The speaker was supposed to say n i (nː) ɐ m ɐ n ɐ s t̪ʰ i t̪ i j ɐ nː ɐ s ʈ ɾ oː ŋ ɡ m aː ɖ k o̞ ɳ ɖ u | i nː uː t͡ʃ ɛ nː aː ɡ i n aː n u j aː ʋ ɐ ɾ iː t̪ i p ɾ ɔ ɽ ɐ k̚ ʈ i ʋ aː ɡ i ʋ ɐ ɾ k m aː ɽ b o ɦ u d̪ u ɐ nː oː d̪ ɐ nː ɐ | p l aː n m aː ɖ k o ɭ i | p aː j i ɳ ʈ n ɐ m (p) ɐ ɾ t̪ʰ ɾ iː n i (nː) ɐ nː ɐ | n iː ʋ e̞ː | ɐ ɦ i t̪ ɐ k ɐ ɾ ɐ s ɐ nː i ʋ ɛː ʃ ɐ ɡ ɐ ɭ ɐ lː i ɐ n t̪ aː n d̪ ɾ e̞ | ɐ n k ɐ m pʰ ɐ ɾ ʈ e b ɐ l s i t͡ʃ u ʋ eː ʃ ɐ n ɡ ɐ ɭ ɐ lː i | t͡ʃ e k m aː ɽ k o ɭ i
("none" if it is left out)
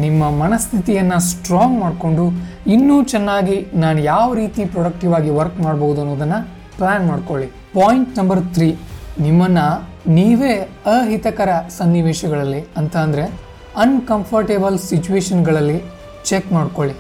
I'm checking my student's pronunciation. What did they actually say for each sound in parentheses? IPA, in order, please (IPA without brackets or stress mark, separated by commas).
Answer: mː, b, mː